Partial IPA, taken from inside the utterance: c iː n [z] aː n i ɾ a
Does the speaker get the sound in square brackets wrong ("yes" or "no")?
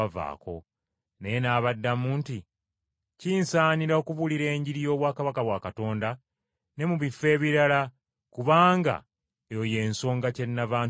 yes